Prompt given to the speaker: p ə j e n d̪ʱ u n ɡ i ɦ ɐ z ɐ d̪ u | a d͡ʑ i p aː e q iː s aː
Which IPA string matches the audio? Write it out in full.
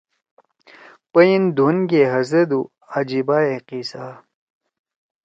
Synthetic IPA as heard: p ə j i n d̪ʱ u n ɡ e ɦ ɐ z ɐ d̪ u | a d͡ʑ i b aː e q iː s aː